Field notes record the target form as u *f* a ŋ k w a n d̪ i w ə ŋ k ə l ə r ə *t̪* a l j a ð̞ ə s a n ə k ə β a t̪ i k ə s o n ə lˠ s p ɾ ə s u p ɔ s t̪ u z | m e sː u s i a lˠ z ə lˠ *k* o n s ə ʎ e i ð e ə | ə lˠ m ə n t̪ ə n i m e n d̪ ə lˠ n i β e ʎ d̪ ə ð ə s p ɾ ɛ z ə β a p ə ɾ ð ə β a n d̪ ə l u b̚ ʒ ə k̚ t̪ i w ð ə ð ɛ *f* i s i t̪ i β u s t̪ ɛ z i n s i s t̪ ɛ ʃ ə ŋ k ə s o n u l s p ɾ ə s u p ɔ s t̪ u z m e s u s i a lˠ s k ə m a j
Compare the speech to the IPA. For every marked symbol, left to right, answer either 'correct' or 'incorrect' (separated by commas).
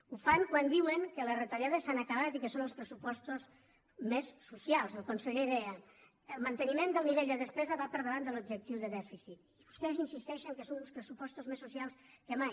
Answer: correct, correct, correct, correct